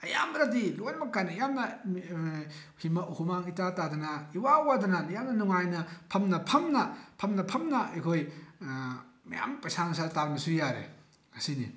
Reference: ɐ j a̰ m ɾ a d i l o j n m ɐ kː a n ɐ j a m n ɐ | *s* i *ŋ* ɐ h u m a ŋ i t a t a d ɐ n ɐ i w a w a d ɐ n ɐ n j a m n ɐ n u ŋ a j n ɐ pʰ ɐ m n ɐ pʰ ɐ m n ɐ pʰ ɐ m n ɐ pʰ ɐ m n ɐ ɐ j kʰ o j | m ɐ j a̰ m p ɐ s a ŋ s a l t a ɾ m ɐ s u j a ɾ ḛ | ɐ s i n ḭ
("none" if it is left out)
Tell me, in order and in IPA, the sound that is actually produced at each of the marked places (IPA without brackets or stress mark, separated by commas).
h, m